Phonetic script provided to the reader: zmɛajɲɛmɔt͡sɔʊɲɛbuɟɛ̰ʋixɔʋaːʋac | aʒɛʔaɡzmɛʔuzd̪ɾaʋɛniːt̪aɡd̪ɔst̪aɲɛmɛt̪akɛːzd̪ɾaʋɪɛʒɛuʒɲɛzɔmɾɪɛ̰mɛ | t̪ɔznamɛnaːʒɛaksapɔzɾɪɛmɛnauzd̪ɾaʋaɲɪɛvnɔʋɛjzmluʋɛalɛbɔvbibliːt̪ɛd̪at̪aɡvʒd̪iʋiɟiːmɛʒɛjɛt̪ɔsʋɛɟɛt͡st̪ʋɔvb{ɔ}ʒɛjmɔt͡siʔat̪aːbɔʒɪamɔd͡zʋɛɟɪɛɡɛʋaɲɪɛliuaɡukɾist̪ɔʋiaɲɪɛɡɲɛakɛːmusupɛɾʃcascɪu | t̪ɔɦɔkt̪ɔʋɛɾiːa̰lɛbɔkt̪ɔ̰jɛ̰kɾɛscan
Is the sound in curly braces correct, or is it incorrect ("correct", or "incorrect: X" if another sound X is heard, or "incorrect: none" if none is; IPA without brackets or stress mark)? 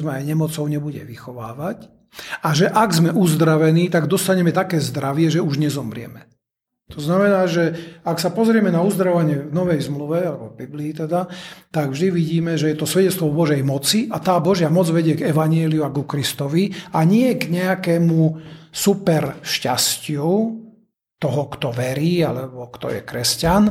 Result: correct